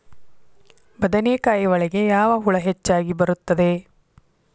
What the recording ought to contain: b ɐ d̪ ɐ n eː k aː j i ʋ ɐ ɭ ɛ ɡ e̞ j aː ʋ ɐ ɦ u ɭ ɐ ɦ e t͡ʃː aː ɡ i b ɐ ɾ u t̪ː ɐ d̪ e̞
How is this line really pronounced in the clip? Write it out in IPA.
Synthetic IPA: b ɐ d̪ ɐ n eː k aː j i ʋ ɐ ɭ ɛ ɡ e̞ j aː ʋ ɐ ɦ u ɭ ɐ ɦ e t͡ʃː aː ɡ i b ɐ ɾ u t̪ː ɐ d̪ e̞